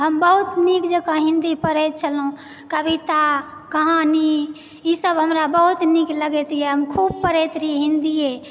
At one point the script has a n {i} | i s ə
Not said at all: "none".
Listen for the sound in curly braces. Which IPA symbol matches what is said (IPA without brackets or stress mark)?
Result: i